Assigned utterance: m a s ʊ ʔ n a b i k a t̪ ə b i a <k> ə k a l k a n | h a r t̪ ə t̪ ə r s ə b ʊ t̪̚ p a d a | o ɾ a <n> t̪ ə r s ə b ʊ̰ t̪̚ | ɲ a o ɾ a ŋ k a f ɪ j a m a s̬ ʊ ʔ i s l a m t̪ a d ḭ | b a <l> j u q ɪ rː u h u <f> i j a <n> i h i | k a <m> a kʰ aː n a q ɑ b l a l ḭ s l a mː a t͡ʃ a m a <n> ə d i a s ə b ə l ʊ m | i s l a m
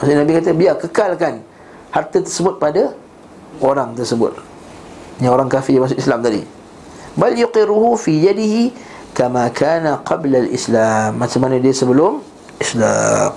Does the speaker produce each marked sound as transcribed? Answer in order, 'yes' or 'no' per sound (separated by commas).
yes, no, yes, yes, no, yes, yes